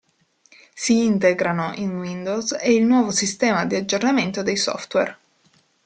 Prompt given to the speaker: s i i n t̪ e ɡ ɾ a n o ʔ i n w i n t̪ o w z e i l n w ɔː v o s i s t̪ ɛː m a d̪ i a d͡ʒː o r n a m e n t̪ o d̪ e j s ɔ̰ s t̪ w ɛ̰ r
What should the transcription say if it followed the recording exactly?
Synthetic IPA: s i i n t̪ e ɡ ɾ a n o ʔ i n w i n d̪ o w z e i l n w ɔː v o s i s t̪ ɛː m a d̪ i a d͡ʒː o r n a m e n t̪ o d̪ e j s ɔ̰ f t̪ w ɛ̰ r